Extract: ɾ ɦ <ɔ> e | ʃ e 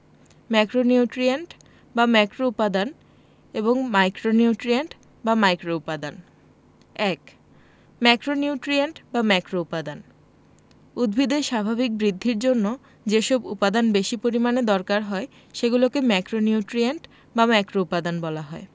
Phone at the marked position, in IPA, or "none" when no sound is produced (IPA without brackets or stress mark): ɔ